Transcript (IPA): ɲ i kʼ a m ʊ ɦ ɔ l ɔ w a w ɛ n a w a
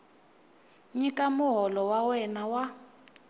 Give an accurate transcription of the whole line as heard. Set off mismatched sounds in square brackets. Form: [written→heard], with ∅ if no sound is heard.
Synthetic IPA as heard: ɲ i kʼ a m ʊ ɦ ɔ l ɔ w a w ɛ n a w a